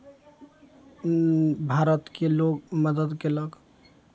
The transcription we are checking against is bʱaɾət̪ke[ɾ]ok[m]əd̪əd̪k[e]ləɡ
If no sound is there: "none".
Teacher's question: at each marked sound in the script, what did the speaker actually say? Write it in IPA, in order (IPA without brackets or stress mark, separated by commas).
l, m, e